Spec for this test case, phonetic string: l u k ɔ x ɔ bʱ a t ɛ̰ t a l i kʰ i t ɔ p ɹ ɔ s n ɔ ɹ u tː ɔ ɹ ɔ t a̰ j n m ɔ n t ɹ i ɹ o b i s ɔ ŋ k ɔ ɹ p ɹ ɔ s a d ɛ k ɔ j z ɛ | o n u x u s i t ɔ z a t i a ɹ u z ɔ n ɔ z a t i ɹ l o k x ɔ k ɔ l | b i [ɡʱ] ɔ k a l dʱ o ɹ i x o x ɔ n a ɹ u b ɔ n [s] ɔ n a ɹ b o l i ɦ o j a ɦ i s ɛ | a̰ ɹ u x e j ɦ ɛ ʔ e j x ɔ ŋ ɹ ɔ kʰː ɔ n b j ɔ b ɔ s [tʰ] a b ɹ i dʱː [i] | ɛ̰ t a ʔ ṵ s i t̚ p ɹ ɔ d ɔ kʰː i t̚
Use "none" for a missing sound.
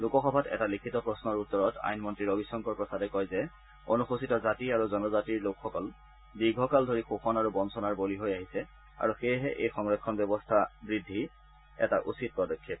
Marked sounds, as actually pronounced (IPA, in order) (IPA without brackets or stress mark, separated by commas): ɡʱ, s, tʰ, i